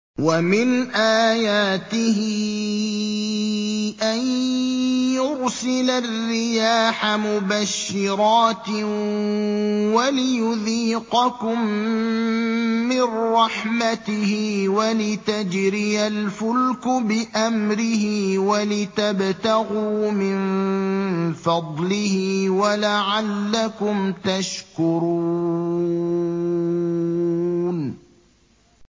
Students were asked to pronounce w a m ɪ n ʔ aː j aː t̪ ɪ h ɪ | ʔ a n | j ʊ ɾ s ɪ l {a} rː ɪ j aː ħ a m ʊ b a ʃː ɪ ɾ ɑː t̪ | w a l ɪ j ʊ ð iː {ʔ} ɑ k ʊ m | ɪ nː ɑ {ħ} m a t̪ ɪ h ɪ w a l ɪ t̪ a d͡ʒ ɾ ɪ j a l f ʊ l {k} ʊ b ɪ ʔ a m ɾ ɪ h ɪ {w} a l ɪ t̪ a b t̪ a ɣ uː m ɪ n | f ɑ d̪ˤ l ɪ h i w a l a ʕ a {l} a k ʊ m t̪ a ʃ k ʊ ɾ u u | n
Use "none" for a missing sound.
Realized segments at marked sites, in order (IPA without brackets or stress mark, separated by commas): a, q, ħ, k, w, lː